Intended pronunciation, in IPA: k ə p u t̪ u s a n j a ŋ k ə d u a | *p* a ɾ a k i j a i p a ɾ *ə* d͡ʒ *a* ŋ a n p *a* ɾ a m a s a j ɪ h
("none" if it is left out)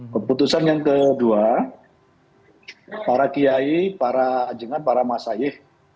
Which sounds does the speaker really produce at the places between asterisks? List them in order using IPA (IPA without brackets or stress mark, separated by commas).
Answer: p, a, ə, a